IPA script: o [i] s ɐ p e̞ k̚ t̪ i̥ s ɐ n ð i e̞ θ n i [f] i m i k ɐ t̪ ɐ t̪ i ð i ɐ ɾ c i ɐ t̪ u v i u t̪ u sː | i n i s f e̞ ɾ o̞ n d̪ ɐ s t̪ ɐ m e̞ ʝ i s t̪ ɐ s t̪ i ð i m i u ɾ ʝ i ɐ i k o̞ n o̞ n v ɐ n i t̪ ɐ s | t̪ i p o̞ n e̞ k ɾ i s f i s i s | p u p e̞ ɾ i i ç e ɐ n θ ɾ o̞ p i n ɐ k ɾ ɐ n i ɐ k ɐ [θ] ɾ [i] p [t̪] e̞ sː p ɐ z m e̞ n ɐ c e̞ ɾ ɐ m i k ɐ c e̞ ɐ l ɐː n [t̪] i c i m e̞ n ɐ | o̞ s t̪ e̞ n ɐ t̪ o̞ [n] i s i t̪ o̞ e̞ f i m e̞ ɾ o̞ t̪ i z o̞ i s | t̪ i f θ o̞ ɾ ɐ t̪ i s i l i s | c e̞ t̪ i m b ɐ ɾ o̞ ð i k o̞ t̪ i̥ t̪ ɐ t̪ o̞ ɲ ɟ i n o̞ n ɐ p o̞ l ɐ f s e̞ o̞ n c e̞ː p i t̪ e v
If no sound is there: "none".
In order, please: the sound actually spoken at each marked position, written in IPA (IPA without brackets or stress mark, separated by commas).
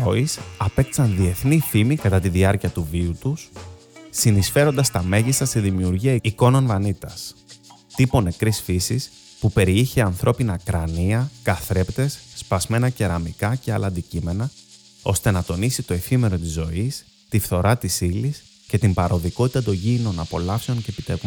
i, f, θ, e, t̪, d̪, n